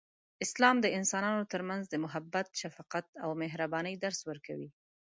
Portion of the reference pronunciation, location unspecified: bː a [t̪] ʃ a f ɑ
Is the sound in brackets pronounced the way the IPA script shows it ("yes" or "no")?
yes